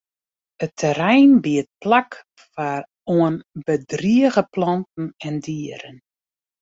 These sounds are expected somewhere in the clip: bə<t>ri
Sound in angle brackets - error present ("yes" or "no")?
yes